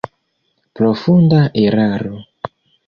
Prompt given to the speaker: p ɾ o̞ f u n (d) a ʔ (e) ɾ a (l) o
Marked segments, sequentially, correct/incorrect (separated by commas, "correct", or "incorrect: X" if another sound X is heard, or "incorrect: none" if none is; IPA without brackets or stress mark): correct, correct, incorrect: ɾ